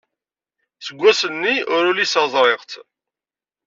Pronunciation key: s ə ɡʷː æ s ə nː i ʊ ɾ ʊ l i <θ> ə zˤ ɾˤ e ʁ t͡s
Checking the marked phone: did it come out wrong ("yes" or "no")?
yes